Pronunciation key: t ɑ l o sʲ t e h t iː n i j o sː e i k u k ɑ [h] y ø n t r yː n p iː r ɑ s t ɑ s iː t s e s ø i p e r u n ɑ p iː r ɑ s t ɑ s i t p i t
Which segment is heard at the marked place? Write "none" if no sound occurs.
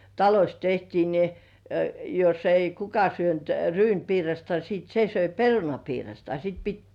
s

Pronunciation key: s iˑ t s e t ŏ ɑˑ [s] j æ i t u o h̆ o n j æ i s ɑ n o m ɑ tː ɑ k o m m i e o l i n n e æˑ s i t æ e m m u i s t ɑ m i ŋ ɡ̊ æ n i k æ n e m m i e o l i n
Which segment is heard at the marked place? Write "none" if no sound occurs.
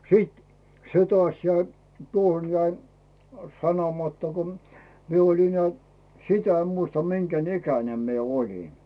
s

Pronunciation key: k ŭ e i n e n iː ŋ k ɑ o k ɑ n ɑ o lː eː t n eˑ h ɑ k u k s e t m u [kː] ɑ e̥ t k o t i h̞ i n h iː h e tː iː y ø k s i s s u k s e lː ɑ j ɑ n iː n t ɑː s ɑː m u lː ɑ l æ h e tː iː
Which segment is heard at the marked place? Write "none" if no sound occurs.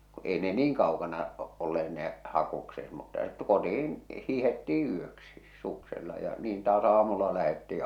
tː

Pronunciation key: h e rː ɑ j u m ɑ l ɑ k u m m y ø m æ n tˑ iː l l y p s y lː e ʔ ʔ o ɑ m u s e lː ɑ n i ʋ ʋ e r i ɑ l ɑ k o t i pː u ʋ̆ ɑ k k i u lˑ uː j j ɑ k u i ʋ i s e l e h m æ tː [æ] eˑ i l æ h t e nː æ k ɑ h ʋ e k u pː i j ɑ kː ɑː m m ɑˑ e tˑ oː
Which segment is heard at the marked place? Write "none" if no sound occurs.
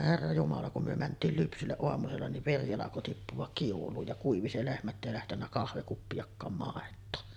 æ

